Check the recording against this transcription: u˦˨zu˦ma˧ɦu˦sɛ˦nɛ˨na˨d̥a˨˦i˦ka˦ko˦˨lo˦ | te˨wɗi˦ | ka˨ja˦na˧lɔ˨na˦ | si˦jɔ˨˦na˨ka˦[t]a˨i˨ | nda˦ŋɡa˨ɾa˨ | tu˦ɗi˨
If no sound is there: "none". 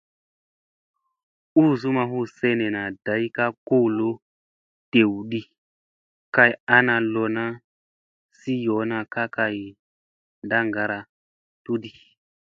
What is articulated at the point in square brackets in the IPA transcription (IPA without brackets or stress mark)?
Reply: k